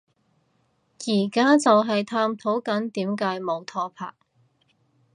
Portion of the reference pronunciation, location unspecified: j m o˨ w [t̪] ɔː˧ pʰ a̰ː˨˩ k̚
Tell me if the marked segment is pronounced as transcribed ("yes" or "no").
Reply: no